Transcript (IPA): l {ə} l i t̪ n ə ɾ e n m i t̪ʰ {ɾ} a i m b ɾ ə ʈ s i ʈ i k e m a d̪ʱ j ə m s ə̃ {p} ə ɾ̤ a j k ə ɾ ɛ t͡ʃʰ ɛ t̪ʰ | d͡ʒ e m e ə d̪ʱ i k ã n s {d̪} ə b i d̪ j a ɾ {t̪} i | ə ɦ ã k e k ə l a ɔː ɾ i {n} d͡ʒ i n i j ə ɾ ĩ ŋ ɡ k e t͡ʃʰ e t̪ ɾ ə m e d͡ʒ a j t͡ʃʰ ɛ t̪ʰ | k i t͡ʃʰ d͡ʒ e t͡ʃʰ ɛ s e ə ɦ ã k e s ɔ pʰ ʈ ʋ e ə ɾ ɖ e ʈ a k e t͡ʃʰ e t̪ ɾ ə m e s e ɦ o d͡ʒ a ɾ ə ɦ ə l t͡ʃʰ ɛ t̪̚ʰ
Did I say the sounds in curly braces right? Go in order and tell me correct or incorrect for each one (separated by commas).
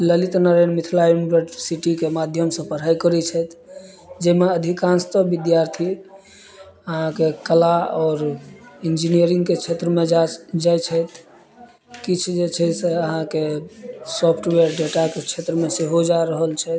correct, incorrect, correct, incorrect, incorrect, correct